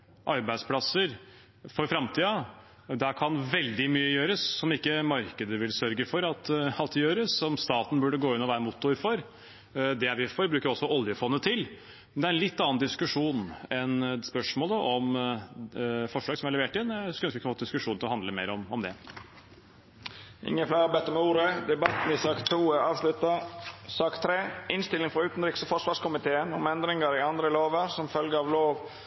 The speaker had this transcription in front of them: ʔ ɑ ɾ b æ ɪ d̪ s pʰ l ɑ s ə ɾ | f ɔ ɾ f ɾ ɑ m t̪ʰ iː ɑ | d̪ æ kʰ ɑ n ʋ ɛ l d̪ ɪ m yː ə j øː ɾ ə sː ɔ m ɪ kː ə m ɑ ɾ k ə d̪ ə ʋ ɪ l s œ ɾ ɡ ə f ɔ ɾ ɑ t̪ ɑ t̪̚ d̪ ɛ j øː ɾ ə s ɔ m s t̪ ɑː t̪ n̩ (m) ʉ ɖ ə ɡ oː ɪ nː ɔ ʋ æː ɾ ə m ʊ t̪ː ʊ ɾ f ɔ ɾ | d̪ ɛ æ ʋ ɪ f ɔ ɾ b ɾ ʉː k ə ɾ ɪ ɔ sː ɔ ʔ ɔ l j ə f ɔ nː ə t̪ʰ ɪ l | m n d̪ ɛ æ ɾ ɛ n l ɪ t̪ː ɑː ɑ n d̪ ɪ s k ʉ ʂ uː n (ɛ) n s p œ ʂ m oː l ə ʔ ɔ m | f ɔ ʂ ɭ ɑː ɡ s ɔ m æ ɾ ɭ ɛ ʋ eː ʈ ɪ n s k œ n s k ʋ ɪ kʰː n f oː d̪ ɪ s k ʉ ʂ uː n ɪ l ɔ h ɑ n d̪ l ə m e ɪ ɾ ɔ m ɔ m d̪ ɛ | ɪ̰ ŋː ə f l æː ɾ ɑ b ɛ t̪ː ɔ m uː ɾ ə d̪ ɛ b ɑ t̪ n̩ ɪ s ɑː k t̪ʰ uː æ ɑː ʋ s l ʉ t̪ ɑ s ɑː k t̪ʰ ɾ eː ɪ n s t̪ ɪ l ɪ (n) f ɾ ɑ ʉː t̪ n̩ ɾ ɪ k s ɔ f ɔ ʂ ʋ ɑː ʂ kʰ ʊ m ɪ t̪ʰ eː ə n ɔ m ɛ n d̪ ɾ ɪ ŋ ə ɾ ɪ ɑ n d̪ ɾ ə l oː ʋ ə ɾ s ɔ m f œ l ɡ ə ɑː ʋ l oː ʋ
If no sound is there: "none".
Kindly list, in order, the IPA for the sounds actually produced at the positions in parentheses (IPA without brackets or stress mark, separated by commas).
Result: b, ɛ, ŋ